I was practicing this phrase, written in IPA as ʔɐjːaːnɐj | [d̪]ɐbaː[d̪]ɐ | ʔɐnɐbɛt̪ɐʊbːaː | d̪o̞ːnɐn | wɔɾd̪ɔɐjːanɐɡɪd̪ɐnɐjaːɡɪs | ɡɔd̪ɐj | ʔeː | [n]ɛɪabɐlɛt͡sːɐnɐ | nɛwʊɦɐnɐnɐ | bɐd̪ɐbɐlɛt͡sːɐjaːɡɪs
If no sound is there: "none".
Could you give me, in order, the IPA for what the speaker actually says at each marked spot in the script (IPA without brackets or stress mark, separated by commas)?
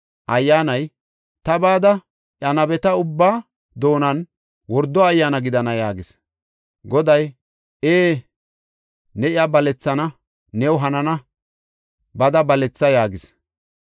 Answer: t̪, d̪, n